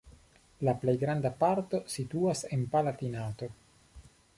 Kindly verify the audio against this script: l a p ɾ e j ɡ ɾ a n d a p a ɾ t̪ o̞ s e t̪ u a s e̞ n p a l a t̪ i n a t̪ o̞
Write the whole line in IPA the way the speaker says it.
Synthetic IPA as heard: l a p l e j ɡ ɾ a n d a p a ɾ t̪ o̞ s i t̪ u a s e̞ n p a l a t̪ i n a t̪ o̞

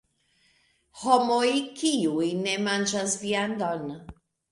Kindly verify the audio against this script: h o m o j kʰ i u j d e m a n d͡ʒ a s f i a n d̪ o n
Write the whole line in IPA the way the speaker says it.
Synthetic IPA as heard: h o m o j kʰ i u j n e m a n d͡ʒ a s v i a n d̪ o n

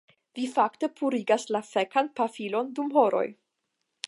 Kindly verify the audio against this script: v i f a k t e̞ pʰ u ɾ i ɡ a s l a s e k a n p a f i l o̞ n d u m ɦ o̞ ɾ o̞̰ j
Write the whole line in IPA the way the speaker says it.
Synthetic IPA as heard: v i f a k t e̞ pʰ u ɾ i ɡ a s l a f e k a n p a f i l o̞ n d u m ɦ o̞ ɾ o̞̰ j

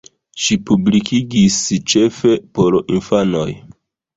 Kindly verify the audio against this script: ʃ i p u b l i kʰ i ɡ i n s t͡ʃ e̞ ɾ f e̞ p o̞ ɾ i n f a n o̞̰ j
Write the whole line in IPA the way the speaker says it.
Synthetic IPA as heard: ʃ i p u b l i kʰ i ɡ i s t͡ʃ e̞ f e̞ p o̞ ɾ i n f a n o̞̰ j

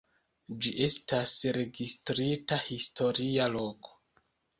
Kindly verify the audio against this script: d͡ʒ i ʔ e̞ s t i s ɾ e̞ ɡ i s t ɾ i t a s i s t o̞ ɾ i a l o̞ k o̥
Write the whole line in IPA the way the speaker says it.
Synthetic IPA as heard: d͡ʒ i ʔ e̞ s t a s ɾ e̞ ɡ i s t ɾ i t a h i s t o̞ ɾ i a l o̞ k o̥

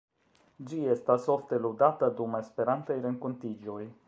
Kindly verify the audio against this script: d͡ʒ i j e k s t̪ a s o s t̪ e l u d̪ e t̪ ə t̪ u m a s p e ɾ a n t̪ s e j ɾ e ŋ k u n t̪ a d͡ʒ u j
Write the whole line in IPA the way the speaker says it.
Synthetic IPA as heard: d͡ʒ i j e s t̪ a s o f t̪ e l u d̪ a t̪ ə d̪ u m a s p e ɾ a n t̪ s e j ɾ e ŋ k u n t̪ i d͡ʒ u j

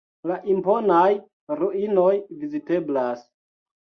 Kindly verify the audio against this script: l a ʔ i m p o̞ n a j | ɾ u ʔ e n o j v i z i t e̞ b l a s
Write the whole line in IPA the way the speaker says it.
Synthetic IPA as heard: l a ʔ i m p o̞ n a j | ɾ u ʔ i n o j v i z i t e̞ b l a s

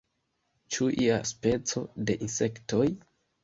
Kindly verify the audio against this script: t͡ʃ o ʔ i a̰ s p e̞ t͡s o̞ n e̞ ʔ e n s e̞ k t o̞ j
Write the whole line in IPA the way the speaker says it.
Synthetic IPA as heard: t͡ʃ u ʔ i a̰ s p e̞ t͡s o̞ d e̞ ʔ i n s e̞ k t o̞ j

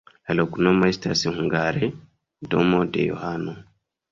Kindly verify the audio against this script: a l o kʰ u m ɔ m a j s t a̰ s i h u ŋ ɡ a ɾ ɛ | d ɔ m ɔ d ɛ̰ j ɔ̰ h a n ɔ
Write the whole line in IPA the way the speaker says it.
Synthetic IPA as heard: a l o k u n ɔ m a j s t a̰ s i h u ŋ ɡ a ɾ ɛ | d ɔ m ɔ d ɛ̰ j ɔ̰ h a n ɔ

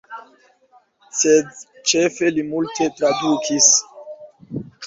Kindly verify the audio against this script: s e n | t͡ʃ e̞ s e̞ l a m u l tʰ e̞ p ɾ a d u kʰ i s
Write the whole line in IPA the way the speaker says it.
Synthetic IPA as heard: s e d | t͡ʃ e̞ f e̞ l i m u l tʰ e̞ t ɾ a d u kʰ i s

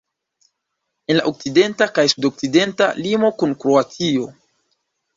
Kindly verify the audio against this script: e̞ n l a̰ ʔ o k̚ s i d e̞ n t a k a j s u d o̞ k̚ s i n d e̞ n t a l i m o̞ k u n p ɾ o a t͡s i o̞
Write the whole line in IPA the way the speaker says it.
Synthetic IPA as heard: e̞ n l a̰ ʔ o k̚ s i d e̞ n t a k a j s u d o̞ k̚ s i d e̞ n t a l i m o̞ k u n k ɾ o a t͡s i o̞

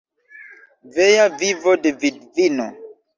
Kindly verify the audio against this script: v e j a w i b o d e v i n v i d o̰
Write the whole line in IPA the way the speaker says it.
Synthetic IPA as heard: v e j a v i v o d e v i d v i n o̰

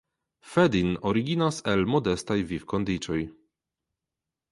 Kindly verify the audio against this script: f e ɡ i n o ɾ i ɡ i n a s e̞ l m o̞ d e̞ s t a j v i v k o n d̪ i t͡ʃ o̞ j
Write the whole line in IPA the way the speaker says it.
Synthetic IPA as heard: f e d i n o ɾ i ɡ i n a s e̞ l m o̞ d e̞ s t a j v i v k o n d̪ i t͡ʃ o̞ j

